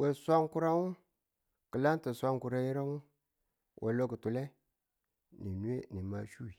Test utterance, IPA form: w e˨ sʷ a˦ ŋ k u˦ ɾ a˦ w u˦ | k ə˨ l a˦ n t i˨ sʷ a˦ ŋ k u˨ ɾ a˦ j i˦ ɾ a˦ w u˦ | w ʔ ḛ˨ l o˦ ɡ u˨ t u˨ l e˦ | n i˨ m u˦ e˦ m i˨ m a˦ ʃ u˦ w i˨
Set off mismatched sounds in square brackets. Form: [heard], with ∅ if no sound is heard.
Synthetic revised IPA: w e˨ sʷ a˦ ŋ k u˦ ɾ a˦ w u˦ | k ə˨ l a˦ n t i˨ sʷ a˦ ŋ k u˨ ɾ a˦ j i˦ ɾ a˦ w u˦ | w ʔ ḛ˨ l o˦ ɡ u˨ t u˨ l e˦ | n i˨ [n] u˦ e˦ [n] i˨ m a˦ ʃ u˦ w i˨